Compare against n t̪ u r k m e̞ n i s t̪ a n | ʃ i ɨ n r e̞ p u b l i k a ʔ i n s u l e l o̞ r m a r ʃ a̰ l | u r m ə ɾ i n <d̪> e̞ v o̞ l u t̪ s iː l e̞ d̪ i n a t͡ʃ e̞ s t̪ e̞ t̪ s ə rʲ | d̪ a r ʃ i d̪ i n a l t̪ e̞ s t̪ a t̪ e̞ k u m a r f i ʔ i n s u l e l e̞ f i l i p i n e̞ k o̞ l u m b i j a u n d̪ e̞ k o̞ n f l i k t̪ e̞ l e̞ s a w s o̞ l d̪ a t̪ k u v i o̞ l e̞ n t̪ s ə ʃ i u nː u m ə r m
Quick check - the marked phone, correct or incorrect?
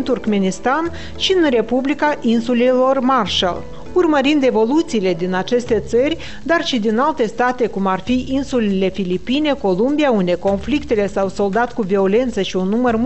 correct